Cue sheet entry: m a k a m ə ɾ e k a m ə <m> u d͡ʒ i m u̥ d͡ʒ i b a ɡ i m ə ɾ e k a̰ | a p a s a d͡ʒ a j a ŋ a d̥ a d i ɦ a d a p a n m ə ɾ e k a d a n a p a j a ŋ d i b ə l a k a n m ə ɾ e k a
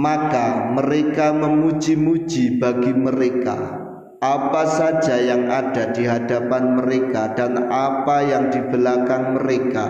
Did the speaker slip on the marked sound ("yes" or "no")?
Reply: no